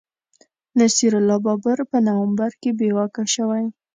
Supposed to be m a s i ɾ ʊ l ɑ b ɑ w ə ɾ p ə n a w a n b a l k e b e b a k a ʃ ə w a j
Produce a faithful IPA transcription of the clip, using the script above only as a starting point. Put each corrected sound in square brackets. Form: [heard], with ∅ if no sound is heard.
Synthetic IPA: [n] a s i ɾ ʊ l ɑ b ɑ [b] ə ɾ p ə n a w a [m] b a [ɾ] k e b e [w] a k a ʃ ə w a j